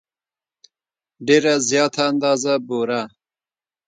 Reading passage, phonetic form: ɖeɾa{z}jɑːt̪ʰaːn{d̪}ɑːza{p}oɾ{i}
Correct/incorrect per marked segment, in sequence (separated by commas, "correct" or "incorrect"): correct, correct, incorrect, incorrect